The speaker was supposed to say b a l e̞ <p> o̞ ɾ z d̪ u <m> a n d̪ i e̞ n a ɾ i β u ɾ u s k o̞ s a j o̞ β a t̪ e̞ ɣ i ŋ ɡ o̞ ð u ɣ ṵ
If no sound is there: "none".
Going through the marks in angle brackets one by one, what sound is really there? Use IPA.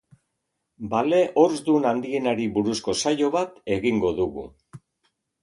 ʔ, n

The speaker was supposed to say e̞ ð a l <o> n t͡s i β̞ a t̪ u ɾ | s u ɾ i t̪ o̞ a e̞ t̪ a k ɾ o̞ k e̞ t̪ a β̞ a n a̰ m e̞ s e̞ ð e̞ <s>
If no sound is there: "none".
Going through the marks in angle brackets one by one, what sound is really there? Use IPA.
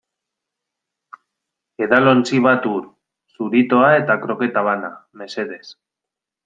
o, s

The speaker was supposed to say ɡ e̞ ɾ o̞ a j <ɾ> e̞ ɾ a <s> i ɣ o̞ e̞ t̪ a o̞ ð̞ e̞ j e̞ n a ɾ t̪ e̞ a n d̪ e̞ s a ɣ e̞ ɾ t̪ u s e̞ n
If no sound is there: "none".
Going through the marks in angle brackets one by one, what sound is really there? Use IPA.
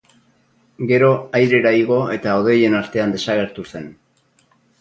ɾ, none

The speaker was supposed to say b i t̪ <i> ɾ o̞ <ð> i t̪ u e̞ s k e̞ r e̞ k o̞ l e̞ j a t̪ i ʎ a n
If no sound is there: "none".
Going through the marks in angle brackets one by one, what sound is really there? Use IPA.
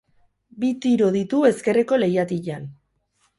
i, ð

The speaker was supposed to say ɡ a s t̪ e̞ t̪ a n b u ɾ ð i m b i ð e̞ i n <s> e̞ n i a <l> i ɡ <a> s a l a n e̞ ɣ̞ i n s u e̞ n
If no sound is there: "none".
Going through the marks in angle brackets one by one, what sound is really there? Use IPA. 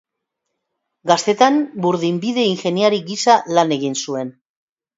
x, ɾ, i

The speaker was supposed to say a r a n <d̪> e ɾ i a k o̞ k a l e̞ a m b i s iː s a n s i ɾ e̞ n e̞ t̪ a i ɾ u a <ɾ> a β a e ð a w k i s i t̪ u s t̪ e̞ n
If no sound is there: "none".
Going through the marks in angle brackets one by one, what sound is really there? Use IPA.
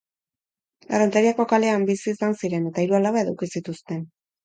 t̪, l

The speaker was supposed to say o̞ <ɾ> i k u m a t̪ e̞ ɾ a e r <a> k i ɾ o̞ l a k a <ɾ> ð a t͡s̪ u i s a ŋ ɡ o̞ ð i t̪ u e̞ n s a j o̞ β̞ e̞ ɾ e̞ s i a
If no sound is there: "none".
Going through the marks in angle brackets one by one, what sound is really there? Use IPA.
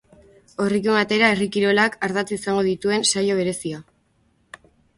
r, i, ɾ

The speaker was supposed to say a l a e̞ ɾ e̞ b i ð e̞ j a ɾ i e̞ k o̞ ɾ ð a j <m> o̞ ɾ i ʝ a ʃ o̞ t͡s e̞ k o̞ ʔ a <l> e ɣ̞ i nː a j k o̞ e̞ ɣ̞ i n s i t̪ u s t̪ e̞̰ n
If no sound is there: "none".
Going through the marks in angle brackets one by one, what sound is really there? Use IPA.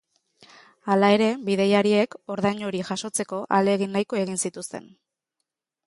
ɲ, l

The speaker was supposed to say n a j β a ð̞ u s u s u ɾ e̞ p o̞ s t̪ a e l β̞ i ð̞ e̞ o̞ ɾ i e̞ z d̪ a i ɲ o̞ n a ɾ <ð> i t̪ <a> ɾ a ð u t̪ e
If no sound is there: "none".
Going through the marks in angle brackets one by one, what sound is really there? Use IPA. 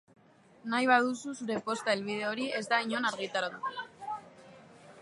ɣ, a

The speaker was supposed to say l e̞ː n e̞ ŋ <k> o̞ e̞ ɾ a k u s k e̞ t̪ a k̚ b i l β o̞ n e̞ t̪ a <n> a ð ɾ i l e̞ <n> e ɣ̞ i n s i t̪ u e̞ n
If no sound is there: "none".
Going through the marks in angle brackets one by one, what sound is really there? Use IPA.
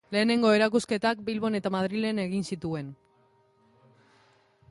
ɡ, m, n

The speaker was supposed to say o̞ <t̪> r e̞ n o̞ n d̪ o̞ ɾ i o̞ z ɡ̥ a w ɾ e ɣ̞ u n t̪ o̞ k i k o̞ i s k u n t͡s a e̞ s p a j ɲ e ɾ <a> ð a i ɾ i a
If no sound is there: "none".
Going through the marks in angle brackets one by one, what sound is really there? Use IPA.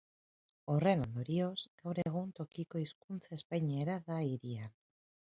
none, a

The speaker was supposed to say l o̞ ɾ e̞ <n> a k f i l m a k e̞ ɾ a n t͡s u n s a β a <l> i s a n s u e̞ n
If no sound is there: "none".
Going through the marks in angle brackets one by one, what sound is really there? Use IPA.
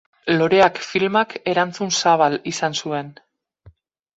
none, l

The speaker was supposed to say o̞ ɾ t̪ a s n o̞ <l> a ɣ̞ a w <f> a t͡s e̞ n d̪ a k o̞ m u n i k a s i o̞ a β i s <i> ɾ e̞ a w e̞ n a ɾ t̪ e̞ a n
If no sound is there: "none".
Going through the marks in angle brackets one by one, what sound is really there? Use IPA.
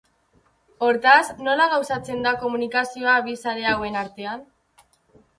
l, s, a

